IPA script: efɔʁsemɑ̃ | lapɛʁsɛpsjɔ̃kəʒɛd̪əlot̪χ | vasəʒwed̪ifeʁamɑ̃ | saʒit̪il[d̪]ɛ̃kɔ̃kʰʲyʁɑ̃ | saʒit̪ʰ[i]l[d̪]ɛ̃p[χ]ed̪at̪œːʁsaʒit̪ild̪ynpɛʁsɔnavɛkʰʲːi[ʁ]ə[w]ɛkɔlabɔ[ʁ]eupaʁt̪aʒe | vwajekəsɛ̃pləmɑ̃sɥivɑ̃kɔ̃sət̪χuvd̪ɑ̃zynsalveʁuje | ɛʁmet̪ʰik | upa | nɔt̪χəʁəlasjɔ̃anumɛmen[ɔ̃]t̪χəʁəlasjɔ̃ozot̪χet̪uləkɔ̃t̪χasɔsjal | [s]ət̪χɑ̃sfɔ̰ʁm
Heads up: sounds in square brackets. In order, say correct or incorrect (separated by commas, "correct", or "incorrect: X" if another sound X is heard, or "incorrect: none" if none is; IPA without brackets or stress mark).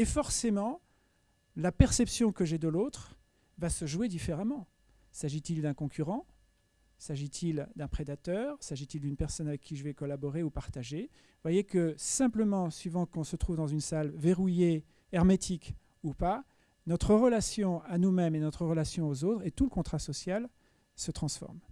correct, correct, correct, correct, incorrect: ʒ, incorrect: v, correct, incorrect: ɔ, correct